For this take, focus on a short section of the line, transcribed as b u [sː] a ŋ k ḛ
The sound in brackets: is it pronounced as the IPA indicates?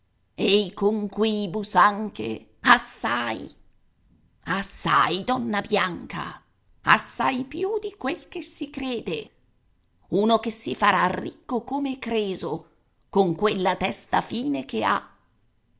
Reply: no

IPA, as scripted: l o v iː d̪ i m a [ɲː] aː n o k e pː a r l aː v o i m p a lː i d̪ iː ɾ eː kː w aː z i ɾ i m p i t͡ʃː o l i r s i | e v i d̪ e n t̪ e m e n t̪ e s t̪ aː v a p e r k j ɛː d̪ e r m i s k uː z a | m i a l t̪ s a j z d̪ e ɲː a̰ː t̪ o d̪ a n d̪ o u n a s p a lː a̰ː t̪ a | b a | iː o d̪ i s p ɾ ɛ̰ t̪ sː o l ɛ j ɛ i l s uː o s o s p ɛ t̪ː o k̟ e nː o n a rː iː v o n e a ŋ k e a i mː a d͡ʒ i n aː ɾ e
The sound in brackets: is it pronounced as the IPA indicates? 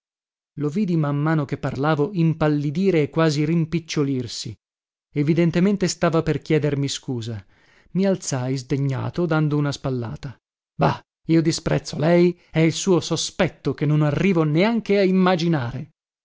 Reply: no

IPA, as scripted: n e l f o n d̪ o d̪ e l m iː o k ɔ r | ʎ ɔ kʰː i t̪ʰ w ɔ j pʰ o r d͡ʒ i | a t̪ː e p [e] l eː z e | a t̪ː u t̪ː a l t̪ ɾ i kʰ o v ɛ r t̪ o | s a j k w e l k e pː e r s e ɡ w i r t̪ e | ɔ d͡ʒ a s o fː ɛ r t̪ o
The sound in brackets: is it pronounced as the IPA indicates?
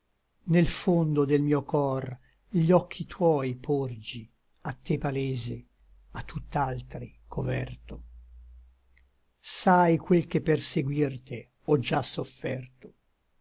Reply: no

